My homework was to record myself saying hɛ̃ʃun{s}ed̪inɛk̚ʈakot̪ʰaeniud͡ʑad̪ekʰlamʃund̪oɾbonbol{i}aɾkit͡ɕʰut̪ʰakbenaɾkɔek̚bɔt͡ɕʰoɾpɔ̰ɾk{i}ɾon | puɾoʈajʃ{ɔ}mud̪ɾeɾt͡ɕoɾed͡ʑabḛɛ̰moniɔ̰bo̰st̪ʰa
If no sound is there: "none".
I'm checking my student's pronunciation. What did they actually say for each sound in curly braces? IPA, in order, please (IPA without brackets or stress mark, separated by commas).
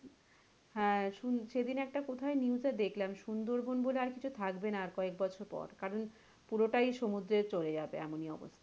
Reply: ʃ, e, a, o